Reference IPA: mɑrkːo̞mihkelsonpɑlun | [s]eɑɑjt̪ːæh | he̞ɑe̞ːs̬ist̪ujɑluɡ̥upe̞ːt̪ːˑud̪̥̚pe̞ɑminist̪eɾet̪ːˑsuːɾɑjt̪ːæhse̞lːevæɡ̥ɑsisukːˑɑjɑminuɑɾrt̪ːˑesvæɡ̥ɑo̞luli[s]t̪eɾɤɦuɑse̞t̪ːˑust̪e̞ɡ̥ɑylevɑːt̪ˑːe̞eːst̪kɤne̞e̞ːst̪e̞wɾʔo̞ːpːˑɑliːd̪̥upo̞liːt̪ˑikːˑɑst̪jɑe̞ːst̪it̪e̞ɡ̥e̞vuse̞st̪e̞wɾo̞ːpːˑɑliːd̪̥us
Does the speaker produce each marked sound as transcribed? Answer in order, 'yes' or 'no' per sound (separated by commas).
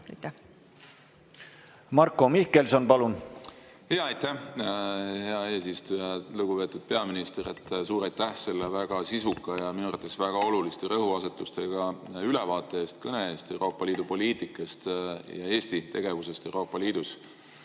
no, yes